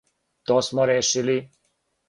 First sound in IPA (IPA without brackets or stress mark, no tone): t̪